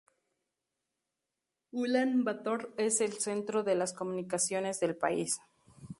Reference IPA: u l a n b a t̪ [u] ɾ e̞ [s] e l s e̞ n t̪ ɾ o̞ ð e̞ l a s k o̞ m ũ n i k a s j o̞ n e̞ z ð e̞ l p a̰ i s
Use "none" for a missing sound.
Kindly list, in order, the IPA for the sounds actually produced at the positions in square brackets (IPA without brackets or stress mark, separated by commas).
o, s